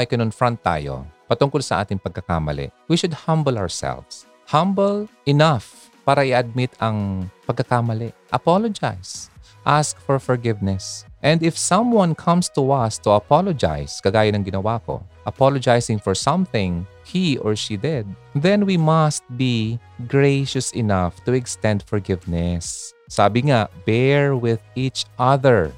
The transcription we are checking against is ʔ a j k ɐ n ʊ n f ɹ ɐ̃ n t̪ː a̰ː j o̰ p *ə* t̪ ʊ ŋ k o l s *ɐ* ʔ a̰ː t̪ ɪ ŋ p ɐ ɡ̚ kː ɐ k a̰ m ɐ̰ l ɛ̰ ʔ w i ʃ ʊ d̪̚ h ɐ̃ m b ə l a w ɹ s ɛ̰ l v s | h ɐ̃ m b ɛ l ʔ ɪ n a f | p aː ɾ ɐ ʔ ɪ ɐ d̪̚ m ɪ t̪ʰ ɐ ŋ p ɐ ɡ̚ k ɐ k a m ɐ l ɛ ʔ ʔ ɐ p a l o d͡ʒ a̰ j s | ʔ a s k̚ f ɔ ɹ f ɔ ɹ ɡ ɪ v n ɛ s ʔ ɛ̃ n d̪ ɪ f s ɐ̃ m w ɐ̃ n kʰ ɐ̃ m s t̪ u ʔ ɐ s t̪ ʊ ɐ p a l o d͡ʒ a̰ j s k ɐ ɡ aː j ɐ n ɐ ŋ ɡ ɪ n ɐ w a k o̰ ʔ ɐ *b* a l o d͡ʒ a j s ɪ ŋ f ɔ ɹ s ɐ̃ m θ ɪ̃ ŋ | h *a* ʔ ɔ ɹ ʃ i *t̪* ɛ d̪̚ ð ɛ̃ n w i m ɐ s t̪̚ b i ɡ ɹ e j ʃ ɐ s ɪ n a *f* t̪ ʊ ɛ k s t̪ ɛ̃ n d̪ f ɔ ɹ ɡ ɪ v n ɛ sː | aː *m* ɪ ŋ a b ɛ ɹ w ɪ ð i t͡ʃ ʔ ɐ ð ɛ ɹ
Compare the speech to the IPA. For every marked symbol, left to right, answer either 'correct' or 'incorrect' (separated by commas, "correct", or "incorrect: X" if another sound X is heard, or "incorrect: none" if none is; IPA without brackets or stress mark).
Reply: incorrect: ɐ, correct, incorrect: p, incorrect: i, incorrect: d̪, correct, incorrect: b